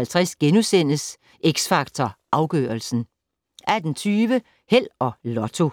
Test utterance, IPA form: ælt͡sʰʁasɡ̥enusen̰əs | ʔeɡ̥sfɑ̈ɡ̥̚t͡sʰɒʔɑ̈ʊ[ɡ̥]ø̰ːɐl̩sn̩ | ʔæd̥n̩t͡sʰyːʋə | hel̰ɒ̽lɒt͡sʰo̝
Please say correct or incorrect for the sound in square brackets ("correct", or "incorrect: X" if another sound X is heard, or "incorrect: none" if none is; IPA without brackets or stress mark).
correct